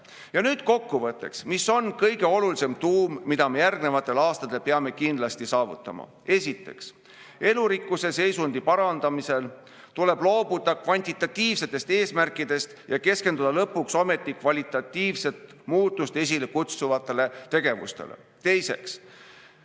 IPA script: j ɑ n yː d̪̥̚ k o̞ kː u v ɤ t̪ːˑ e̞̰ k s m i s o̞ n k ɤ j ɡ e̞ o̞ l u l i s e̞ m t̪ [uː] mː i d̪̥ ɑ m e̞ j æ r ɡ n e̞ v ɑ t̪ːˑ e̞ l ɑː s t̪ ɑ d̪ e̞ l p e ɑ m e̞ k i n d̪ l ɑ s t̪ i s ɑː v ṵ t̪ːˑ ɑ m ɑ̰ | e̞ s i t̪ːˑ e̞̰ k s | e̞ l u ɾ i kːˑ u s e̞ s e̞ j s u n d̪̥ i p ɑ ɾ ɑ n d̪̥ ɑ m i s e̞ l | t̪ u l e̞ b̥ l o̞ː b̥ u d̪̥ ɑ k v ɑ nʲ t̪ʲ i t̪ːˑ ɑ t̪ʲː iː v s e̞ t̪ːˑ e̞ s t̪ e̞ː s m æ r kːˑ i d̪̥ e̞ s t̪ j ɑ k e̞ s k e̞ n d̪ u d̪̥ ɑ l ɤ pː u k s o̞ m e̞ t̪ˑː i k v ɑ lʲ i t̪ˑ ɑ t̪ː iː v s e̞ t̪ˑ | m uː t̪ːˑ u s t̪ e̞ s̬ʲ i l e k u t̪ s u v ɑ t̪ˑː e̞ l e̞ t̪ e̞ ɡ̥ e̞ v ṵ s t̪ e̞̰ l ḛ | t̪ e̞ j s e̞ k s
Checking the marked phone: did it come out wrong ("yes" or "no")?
no